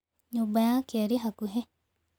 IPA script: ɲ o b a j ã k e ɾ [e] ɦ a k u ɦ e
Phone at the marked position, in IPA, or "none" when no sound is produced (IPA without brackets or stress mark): i